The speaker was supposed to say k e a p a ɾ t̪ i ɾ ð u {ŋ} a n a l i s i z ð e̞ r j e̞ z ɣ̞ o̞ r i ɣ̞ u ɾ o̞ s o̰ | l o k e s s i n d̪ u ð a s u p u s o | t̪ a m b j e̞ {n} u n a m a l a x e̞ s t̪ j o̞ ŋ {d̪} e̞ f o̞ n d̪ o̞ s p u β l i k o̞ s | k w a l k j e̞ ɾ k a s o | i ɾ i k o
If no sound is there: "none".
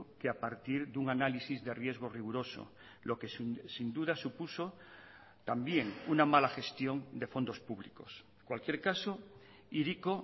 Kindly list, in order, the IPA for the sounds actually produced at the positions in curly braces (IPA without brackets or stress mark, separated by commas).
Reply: ŋ, ŋ, d̪